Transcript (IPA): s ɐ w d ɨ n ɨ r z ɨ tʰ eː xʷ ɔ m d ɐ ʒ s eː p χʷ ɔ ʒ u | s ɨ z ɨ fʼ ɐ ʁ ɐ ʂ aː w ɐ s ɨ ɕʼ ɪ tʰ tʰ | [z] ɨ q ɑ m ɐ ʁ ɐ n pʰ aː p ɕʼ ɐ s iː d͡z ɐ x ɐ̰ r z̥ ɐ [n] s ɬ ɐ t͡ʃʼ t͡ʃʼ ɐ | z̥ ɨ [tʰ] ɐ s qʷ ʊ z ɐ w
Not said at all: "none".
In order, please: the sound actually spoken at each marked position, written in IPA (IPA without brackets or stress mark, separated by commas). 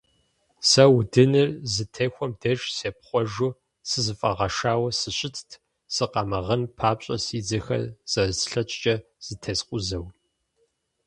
s, none, tʰ